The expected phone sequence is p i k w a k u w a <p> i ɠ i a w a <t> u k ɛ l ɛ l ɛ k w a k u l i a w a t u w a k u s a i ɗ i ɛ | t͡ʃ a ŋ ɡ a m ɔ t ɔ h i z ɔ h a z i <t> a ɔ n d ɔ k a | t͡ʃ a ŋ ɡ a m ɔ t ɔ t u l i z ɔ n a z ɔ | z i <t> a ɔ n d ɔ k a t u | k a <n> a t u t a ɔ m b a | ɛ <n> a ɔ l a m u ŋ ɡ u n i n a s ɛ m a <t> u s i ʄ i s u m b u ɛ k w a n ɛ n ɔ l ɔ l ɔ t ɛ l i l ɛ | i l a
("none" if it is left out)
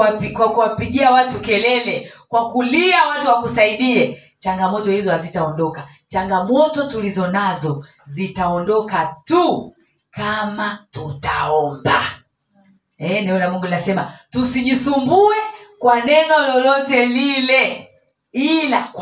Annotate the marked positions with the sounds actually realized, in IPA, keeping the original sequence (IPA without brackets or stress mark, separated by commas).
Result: p, t, t, t, m, n, t